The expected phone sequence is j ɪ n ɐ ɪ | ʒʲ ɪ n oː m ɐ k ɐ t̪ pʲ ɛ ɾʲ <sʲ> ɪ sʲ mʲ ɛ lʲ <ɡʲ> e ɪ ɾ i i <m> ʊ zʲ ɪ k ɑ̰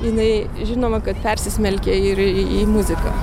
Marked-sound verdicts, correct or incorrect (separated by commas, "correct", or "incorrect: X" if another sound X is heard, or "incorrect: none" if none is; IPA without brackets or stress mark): correct, incorrect: kʲ, correct